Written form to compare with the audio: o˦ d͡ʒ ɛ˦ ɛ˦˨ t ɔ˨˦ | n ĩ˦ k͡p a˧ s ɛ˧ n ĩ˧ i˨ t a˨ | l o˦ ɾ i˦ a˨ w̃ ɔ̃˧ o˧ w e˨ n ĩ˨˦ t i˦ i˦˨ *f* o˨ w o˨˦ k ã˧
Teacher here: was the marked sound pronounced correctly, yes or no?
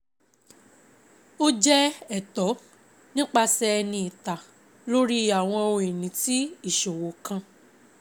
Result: no